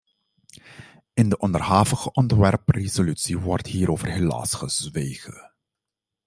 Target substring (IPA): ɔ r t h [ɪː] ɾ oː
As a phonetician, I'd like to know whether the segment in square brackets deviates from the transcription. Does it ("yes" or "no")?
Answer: yes